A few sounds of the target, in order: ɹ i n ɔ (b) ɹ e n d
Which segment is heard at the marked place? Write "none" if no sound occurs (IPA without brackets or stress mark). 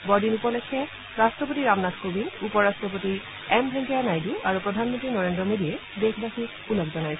none